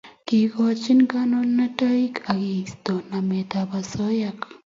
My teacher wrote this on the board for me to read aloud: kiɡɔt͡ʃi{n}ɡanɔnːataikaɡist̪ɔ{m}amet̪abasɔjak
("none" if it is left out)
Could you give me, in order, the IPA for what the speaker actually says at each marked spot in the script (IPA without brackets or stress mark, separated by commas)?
n, n